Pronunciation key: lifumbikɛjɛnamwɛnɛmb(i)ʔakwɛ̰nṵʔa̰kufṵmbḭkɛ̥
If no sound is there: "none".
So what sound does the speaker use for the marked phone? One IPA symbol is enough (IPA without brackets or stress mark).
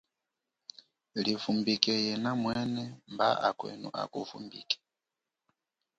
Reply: a